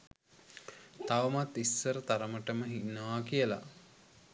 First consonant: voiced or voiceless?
voiceless